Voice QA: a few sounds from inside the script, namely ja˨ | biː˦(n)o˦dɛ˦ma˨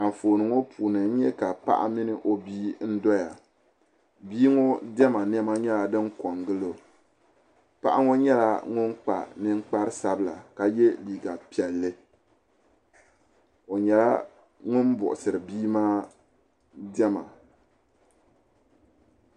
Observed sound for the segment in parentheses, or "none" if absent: ŋ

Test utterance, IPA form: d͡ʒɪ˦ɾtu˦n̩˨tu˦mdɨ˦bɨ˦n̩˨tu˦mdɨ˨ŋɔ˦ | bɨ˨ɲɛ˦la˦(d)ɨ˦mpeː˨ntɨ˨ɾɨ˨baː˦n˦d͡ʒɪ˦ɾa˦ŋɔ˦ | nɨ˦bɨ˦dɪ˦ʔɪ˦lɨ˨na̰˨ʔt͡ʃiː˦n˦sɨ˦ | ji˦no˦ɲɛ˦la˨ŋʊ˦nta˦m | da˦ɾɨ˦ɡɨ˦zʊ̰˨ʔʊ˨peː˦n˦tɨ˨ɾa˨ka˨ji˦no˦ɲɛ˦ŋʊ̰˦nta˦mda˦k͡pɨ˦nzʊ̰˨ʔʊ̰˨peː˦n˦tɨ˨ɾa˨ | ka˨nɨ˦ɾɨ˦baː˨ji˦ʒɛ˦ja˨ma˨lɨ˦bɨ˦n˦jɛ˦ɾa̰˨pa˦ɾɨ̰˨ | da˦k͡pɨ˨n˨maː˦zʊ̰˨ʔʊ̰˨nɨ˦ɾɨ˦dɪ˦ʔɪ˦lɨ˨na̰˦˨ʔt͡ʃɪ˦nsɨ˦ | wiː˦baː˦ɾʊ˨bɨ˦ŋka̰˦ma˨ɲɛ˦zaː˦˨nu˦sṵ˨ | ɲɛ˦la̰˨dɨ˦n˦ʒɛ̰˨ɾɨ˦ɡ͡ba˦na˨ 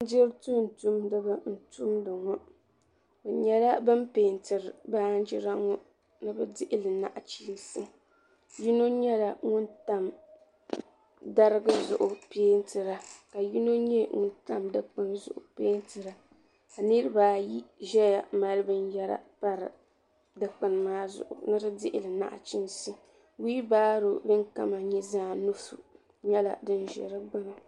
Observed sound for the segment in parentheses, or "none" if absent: b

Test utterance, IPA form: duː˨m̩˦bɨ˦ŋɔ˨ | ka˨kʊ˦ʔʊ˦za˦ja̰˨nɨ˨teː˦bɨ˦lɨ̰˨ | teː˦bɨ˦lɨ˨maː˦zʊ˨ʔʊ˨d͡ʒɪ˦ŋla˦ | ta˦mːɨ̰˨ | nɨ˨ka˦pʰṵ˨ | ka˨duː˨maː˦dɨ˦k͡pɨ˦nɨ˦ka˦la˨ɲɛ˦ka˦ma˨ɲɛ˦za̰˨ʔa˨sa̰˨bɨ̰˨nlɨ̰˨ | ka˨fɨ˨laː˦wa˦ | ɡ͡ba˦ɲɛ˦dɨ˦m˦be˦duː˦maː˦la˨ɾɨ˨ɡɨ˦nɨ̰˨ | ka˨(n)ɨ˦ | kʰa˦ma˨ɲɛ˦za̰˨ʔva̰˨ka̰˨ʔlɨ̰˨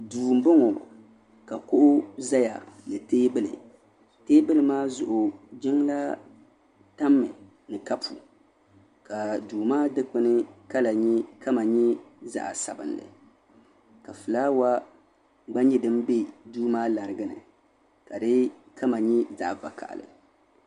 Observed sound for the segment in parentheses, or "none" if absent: d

